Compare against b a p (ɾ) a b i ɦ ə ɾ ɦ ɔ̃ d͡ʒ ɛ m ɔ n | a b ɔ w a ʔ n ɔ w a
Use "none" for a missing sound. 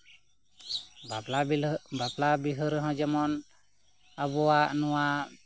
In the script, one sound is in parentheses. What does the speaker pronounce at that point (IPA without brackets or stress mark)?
l